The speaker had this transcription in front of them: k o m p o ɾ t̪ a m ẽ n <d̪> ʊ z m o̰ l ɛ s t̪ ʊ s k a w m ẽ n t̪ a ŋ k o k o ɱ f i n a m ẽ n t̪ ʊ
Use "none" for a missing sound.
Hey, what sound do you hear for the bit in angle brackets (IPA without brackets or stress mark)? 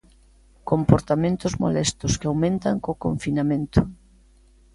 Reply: t̪